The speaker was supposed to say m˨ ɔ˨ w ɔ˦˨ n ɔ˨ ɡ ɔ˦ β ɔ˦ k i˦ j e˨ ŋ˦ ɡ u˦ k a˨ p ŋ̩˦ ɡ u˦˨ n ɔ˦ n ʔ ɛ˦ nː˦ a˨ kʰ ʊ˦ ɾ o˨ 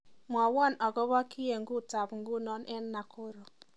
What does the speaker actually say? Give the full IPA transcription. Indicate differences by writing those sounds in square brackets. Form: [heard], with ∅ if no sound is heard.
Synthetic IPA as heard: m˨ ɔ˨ w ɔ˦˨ n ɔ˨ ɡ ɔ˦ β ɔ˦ k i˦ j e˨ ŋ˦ ɡ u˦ [t] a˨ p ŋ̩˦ ɡ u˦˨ n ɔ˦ n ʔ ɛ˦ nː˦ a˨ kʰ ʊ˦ ɾ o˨